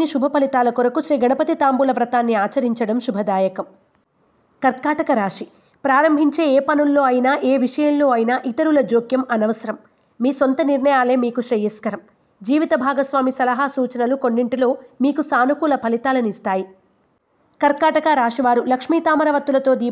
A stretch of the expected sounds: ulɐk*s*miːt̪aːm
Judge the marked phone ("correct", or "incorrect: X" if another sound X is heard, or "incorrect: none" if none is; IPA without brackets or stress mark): incorrect: ʂ